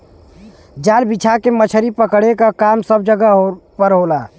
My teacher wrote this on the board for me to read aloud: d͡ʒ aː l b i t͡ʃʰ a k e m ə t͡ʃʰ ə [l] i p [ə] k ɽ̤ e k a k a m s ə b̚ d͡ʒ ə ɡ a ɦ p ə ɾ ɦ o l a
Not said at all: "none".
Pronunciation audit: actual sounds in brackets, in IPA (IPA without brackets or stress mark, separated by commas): ɾ, ə